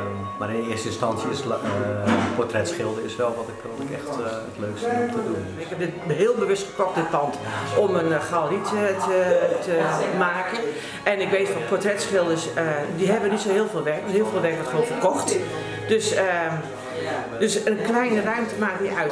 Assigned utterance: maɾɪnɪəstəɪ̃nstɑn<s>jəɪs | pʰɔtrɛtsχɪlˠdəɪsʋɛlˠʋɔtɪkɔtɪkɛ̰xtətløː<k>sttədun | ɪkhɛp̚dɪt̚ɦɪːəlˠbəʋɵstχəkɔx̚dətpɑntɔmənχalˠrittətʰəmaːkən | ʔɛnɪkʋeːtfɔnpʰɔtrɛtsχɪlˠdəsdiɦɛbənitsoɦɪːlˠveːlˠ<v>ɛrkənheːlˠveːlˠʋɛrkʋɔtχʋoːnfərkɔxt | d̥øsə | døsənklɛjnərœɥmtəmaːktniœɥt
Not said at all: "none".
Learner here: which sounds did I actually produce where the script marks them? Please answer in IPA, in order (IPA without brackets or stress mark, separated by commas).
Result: s, k, ʋ